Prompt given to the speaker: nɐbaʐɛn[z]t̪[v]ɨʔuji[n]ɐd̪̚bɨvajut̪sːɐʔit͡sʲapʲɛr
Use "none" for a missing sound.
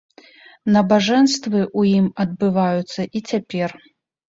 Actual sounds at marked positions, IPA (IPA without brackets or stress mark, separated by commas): s, v, m